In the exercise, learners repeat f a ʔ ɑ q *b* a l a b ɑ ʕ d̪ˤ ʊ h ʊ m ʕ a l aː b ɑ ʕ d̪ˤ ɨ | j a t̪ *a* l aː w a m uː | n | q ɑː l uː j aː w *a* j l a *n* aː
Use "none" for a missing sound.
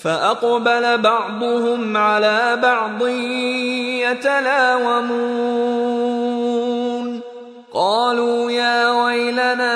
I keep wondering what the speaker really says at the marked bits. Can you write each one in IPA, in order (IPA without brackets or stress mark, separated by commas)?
b, a, a, n